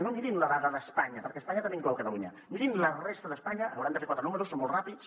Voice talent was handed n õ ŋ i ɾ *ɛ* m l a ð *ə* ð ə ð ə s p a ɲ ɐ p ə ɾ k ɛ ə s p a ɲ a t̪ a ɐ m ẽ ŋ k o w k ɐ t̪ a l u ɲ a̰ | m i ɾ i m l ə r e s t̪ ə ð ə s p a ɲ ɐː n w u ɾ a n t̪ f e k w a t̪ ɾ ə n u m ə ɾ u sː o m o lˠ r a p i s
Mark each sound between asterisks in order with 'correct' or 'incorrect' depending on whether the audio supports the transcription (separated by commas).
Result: incorrect, incorrect